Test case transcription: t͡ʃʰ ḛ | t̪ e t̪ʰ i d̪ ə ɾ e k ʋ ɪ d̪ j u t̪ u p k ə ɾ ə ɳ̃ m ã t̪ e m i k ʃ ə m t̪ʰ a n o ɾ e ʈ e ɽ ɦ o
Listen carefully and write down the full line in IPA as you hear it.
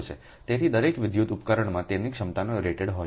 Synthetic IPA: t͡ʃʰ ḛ | t̪ e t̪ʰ i d̪ ə ɾ e k ʋ ɪ d̪ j u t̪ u p k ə ɾ ə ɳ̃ m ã t̪ e n i k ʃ ə m t̪ a n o ɾ e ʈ e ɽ ɦ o